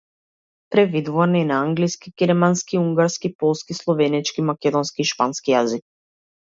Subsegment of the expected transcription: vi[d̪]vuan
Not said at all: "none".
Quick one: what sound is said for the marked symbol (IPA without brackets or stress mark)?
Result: d̪